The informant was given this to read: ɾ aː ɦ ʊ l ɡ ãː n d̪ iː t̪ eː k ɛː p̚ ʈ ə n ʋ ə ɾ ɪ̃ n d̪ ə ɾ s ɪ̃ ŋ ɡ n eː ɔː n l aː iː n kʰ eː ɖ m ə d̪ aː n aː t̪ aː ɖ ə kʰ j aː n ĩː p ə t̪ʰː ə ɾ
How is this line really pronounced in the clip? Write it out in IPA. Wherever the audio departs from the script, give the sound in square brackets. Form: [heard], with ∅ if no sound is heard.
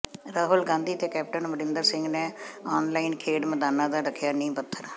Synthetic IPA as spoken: ɾ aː ɦ ʊ l ɡ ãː n d̪ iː t̪ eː k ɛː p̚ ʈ ə n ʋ ə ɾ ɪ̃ n d̪ ə ɾ s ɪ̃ ŋ ɡ n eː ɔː n l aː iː n kʰ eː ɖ m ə d̪ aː n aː [d̪] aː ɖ ə kʰ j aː n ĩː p ə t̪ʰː ə ɾ